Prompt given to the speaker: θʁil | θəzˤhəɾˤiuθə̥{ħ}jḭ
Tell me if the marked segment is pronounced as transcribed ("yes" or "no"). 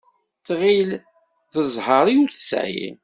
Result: no